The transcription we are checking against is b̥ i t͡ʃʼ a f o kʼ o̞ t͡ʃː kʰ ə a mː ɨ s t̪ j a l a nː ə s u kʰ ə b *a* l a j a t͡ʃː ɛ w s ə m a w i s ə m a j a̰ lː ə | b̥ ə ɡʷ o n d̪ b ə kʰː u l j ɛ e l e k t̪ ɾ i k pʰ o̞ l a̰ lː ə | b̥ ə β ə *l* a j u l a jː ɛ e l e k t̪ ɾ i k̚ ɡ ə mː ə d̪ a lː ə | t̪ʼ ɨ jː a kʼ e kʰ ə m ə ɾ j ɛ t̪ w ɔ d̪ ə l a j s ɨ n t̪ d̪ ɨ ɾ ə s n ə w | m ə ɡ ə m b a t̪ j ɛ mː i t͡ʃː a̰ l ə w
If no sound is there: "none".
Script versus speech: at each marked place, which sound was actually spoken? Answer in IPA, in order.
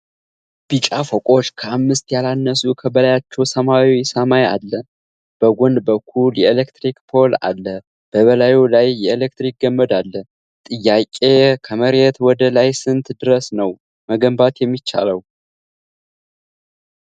ə, l

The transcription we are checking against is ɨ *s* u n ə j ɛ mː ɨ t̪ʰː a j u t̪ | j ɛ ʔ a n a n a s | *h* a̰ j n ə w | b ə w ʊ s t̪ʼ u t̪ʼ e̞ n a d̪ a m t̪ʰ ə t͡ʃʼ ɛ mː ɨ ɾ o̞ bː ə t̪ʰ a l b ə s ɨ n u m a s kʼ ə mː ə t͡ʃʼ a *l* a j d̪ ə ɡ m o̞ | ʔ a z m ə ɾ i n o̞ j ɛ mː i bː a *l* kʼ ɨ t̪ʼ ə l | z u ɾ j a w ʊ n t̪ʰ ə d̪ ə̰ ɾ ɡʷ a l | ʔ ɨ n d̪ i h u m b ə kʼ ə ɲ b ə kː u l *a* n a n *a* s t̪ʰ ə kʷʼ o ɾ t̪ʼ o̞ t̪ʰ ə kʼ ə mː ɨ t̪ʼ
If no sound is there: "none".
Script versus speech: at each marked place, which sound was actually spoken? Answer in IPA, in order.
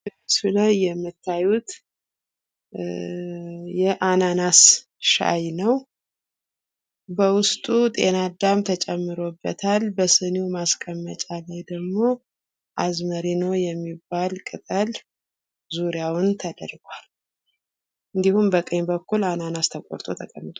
s, ʃ, l, l, a, a

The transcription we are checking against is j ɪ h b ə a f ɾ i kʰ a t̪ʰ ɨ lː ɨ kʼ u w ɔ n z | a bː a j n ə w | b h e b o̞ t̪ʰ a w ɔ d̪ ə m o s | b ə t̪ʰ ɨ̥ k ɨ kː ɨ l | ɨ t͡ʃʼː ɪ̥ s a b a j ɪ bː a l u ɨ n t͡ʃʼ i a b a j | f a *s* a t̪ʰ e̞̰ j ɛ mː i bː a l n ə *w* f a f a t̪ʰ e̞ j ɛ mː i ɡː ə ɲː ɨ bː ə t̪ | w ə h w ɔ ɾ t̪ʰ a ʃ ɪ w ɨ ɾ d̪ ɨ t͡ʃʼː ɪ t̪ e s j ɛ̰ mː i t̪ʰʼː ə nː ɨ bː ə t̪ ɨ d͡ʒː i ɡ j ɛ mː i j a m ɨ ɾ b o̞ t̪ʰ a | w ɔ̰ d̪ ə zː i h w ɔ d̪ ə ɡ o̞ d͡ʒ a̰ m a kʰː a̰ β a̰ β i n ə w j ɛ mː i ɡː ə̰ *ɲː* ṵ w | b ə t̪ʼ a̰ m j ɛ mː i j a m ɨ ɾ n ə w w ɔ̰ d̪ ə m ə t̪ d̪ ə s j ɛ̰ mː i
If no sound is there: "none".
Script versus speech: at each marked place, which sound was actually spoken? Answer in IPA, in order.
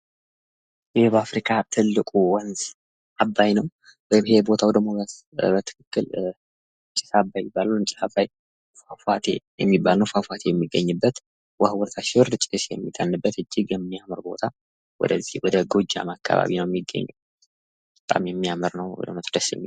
f, w, ɲː

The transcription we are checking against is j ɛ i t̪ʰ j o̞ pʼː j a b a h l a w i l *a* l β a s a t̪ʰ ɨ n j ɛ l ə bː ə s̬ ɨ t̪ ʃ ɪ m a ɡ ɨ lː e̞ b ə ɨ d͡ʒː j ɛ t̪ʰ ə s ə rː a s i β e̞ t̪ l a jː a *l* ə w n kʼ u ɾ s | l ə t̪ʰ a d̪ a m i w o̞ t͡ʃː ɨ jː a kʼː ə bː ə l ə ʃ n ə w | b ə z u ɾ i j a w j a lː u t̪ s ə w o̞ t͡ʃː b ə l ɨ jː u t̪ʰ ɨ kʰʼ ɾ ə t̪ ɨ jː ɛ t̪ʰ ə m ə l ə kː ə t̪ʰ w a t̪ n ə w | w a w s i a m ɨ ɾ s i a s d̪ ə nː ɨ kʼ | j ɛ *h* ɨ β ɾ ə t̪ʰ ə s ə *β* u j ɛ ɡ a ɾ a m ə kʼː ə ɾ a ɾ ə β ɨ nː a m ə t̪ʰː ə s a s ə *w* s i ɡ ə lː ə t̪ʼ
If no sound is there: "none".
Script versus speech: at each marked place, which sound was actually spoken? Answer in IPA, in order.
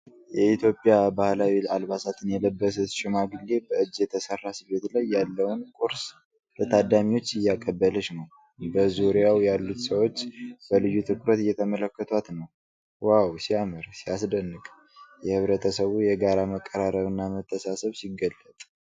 a, lː, h, β, β

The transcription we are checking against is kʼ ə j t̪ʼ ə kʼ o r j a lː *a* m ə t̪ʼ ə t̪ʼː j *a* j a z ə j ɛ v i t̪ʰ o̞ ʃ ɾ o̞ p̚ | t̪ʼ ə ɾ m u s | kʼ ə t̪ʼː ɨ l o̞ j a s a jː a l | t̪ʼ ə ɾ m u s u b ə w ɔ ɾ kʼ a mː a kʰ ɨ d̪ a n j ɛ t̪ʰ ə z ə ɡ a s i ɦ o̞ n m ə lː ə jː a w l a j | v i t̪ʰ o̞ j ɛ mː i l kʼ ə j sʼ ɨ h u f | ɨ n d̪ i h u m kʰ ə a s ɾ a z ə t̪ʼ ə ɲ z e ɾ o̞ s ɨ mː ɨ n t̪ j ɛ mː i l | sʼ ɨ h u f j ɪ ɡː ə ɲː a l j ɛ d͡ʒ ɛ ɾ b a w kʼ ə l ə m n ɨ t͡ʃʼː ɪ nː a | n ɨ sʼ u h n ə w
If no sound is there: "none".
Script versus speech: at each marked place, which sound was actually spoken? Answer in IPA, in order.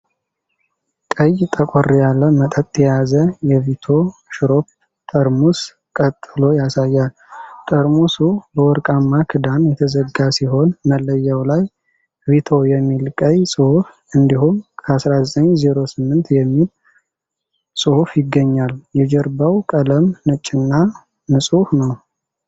ə, ɛ

